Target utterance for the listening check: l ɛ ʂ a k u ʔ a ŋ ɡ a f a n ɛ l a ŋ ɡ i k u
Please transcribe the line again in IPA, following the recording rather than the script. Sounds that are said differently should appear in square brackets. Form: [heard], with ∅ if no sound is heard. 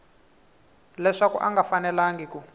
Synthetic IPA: l ɛ ʂ a k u ʔ a ŋ ɡ a f a n ɛ l a ŋ ɡ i k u